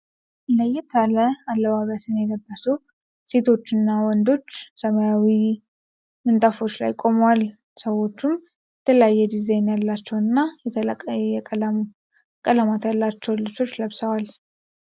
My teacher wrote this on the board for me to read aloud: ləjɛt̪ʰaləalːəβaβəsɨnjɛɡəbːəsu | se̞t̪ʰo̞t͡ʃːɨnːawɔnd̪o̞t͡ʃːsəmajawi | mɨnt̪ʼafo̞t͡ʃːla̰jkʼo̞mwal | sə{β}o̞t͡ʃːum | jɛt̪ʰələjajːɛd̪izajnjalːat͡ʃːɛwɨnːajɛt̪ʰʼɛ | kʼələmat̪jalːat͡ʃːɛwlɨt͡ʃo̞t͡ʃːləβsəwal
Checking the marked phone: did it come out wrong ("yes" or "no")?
yes